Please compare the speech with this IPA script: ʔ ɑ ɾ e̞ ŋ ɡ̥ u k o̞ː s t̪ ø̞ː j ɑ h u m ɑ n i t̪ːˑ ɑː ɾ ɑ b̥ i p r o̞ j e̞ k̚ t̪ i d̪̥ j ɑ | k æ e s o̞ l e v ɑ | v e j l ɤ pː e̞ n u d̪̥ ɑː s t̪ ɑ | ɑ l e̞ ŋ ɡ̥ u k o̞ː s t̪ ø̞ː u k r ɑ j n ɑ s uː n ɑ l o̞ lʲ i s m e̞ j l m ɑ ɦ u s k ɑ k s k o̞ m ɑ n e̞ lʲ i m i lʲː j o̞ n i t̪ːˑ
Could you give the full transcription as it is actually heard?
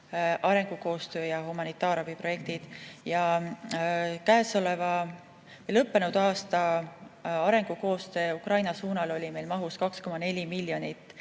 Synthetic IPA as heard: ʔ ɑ ɾ e̞ ŋ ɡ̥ u k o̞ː s t̪ ø̞ː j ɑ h u m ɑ n i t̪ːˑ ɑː ɾ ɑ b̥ i p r o̞ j e̞ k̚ t̪ i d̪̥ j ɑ | k æ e s o̞ l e v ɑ | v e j l ɤ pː e̞ n u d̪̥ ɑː s t̪ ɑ | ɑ ɾ e̞ ŋ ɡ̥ u k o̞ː s t̪ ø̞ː u k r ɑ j n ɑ s uː n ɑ l o̞ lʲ i m e̞ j l m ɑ ɦ u s k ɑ k s k o̞ m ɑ n e̞ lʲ i m i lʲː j o̞ n i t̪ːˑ